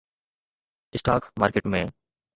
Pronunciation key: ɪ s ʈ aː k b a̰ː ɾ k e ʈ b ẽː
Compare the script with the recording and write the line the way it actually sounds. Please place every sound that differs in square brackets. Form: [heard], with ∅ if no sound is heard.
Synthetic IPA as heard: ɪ s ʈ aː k [m] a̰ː ɾ k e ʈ [m] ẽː